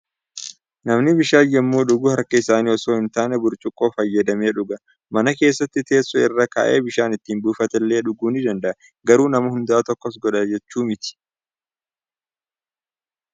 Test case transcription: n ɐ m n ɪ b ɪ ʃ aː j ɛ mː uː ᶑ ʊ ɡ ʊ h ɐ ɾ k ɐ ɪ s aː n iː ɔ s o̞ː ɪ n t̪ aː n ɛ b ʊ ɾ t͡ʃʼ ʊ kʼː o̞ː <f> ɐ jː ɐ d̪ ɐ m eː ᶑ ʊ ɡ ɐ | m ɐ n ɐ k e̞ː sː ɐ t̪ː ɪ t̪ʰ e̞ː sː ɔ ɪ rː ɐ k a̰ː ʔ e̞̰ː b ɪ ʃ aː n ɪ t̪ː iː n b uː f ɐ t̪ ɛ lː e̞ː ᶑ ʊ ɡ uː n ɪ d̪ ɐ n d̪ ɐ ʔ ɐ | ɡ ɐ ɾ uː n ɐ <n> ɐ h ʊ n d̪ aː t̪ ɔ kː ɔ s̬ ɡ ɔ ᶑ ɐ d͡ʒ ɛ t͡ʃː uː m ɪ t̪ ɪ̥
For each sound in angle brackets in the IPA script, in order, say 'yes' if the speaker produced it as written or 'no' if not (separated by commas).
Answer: yes, no